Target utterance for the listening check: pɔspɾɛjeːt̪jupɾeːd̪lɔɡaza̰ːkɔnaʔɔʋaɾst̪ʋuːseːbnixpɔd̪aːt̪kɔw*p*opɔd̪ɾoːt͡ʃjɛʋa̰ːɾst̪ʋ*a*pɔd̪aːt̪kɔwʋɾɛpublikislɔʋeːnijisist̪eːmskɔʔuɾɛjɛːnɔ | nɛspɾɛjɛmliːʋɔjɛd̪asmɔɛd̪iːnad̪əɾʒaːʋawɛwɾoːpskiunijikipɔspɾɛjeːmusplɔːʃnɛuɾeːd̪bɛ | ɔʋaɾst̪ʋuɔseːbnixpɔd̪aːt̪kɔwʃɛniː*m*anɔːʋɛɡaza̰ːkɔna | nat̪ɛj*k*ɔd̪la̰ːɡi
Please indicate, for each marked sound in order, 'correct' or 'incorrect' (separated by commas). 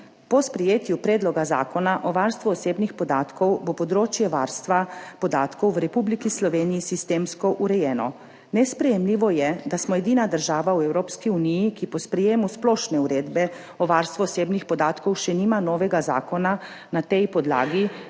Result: incorrect, correct, correct, incorrect